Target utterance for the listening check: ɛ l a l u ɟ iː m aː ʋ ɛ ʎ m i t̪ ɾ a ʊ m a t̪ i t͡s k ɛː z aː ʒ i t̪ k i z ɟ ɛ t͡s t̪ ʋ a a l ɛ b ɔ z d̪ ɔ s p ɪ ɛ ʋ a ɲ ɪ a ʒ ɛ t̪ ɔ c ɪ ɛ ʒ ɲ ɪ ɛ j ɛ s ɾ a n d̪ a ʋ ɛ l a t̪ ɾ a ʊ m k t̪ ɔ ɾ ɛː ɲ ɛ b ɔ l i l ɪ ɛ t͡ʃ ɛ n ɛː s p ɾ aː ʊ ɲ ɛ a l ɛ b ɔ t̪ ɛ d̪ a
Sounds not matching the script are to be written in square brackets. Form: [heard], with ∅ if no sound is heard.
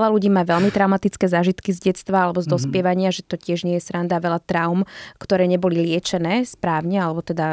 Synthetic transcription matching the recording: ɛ l a l u ɟ iː m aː ʋ ɛ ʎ m i t̪ ɾ a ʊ m a t̪ i t͡s k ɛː z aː ʒ i t̪ k i z ɟ ɛ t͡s t̪ ʋ a a l ɛ b ɔ z d̪ ɔ s p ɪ ɛ ʋ a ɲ ɪ a ʒ ɛ t̪ ɔ c ɪ ɛ ʒ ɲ ɪ ɛ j ɛ s ɾ a n d̪ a ʋ ɛ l a t̪ ɾ a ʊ m k t̪ ɔ ɾ ɛː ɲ ɛ b ɔ l i l ɪ ɛ t͡ʃ ɛ n ɛː s p ɾ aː ʊ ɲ ɛ a l ɛ b ɔ t̪ ɛ d̪ a